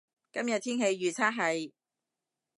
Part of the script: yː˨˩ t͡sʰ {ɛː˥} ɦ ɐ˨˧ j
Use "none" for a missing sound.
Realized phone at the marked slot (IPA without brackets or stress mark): aː˥